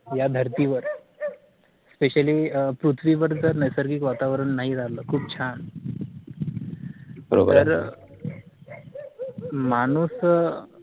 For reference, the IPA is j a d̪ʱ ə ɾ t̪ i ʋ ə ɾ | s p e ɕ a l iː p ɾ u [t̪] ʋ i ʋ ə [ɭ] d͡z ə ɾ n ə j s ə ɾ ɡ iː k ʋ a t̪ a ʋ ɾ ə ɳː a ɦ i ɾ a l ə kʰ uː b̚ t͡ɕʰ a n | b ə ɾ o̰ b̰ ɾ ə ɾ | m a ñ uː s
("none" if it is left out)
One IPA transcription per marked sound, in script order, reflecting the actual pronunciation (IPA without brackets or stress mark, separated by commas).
t̪ʰ, ɾ